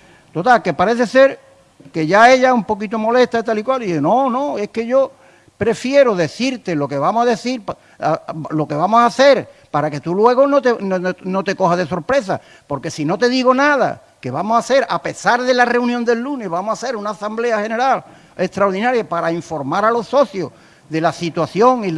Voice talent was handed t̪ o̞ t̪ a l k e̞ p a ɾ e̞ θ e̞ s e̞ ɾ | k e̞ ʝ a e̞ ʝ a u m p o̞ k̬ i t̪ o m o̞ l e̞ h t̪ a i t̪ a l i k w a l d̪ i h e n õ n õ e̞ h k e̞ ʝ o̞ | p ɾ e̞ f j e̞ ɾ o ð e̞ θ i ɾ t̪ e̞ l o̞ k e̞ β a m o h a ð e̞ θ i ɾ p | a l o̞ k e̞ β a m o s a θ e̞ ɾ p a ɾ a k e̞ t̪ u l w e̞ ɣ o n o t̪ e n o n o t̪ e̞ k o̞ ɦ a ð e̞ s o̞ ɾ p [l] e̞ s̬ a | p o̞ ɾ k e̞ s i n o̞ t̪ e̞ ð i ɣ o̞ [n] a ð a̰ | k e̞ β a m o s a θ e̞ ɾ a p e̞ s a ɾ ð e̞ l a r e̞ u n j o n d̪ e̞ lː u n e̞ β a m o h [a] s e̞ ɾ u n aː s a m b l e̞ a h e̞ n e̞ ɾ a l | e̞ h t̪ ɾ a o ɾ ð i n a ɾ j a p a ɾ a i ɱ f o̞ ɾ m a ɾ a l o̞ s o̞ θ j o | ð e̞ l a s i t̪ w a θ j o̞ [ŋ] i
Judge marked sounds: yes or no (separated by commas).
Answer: no, yes, yes, yes